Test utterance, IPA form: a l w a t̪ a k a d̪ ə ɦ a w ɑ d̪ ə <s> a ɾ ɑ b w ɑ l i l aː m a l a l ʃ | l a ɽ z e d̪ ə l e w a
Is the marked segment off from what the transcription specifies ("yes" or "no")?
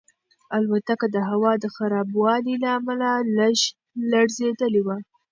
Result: yes